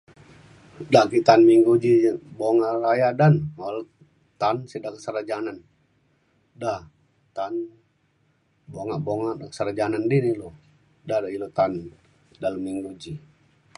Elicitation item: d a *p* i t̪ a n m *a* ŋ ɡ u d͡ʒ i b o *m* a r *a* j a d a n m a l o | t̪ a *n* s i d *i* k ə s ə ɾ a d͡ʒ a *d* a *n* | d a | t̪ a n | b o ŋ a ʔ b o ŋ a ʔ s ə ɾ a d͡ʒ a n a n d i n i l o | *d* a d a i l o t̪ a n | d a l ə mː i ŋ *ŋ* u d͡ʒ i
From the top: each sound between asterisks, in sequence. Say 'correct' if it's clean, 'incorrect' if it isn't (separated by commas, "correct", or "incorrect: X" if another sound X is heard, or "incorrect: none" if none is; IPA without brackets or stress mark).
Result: incorrect: k, incorrect: i, incorrect: ŋ, correct, correct, incorrect: a, incorrect: n, correct, correct, incorrect: ɡ